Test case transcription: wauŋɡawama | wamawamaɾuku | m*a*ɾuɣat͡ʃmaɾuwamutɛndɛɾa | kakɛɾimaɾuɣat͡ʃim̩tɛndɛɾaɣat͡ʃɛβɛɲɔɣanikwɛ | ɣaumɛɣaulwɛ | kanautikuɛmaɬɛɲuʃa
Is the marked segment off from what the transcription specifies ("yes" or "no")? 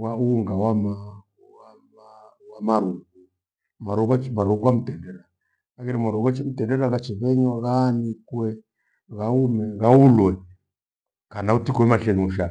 no